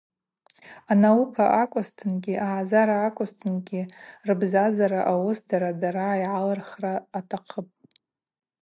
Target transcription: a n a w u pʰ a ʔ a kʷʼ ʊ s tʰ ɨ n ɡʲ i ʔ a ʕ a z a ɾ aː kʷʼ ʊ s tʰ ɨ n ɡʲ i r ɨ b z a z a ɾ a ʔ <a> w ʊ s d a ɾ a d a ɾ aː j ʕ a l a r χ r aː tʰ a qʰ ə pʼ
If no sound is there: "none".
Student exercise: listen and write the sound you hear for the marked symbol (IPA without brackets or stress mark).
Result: a